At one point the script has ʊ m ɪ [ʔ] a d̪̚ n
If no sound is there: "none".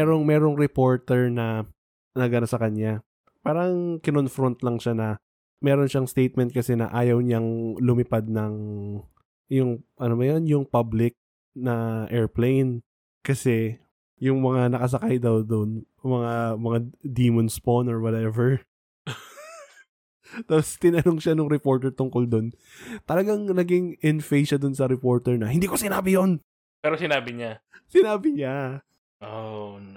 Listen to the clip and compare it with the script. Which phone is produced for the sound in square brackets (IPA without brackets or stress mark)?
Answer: p